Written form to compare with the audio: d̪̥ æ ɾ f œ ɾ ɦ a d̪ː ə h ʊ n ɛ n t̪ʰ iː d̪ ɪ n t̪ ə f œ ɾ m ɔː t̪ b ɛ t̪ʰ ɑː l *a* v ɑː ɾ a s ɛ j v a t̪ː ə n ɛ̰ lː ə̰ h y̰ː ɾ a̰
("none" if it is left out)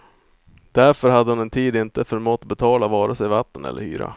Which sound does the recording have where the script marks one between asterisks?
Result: a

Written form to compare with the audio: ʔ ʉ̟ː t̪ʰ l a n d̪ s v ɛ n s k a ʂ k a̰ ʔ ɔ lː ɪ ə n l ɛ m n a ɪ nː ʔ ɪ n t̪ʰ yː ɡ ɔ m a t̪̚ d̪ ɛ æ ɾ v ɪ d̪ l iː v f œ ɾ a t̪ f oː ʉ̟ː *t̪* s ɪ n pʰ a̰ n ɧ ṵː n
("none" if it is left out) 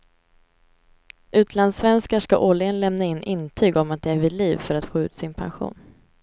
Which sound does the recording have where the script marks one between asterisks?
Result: t̪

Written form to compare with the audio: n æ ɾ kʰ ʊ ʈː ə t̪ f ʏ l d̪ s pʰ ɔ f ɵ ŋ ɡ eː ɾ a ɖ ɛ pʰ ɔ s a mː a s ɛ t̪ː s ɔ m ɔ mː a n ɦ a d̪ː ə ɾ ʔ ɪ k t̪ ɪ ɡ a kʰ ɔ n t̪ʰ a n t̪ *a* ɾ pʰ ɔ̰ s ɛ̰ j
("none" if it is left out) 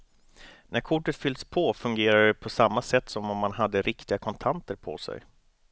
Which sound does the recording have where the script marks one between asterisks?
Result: ə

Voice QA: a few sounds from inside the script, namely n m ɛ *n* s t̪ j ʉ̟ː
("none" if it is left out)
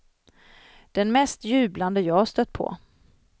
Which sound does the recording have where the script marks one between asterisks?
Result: none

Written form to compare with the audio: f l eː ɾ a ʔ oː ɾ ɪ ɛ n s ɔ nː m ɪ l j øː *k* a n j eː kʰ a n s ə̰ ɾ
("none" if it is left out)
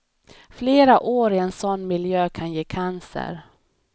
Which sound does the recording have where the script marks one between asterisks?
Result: kʰ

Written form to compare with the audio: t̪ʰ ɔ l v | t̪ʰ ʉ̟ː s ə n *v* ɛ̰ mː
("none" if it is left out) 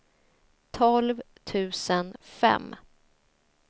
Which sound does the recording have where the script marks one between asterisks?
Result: f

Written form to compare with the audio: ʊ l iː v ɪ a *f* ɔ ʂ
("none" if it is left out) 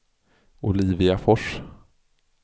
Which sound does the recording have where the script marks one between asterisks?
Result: f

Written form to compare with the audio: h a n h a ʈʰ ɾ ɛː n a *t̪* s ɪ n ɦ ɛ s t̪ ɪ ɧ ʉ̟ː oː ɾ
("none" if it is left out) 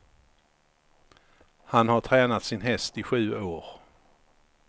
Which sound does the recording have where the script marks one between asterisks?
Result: t̪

